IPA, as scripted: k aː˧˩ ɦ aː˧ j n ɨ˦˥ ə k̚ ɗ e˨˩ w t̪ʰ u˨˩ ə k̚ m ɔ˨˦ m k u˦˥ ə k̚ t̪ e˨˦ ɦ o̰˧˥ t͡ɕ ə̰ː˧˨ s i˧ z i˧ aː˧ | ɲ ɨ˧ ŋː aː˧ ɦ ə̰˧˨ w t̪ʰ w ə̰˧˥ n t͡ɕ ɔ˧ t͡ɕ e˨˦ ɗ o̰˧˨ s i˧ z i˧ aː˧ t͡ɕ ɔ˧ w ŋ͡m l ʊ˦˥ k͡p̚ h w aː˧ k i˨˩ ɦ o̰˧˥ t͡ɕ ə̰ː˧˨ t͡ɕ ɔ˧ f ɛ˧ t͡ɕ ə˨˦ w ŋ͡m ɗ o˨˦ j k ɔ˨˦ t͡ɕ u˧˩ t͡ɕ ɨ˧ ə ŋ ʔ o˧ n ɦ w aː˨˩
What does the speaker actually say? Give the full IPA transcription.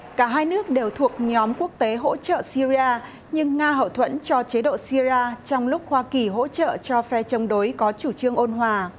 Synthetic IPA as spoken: k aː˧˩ ɦ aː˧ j n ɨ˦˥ ə k̚ ɗ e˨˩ w t̪ʰ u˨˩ ə k̚ ɲ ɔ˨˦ m k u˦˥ ə k̚ t̪ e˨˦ ɦ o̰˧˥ t͡ɕ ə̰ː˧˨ s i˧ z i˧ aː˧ | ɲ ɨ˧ ŋː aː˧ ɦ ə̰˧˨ w t̪ʰ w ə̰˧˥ n t͡ɕ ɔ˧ t͡ɕ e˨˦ ɗ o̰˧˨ s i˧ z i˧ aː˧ t͡ɕ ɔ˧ w ŋ͡m l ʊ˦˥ k͡p̚ h w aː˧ k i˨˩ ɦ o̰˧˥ t͡ɕ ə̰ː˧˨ t͡ɕ ɔ˧ f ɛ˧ t͡ɕ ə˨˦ w ŋ͡m ɗ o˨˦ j k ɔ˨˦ t͡ɕ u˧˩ t͡ɕ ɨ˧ ə ŋ ʔ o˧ n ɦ w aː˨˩